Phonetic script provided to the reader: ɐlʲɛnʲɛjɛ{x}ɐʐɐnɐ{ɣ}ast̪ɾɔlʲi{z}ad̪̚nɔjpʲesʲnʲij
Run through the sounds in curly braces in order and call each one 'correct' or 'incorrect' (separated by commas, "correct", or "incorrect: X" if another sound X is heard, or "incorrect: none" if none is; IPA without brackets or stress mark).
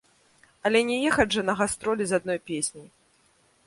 correct, correct, correct